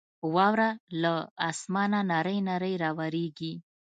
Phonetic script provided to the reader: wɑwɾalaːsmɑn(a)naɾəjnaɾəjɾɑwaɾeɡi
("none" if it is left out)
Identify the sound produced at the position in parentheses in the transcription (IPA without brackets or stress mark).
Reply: a